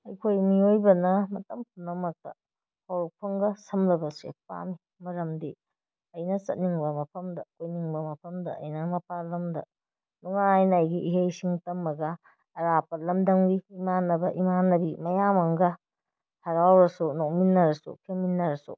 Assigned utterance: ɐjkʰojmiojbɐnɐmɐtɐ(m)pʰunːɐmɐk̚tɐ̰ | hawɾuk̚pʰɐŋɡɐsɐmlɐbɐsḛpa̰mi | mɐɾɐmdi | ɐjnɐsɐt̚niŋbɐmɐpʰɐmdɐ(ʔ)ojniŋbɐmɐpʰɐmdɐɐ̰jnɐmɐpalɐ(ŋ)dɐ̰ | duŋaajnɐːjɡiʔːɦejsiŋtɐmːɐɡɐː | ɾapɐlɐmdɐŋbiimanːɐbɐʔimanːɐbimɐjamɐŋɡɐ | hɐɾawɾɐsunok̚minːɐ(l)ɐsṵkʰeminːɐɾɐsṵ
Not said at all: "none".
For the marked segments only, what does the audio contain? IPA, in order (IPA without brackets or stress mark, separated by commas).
m, k, m, ɾ